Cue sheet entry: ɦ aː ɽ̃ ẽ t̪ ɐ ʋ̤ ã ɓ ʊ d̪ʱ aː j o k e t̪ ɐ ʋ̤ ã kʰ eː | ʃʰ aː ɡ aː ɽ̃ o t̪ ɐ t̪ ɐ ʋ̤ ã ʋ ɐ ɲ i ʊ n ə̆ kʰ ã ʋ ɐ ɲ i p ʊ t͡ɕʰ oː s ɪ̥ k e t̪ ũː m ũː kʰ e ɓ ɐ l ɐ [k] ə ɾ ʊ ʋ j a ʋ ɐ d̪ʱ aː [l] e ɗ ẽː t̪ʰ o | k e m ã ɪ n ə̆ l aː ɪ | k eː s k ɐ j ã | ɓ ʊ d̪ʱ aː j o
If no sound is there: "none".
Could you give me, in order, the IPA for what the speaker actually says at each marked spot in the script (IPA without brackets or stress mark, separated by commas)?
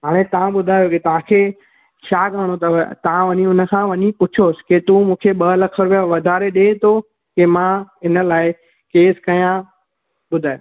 kʰ, ɾ